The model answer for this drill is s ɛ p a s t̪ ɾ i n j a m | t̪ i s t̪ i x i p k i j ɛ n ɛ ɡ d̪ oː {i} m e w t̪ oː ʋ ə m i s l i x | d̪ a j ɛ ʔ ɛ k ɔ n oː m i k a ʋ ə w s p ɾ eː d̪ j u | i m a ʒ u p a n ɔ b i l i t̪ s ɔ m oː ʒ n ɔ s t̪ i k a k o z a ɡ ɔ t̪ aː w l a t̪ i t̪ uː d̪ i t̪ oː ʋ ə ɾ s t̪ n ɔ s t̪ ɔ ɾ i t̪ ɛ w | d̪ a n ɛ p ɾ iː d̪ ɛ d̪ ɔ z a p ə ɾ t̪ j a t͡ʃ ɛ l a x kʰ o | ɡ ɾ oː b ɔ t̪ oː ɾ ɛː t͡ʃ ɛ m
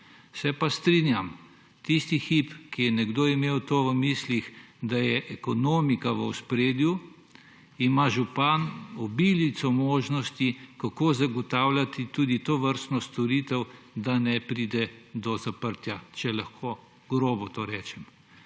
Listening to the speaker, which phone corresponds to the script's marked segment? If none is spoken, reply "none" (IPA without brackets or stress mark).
i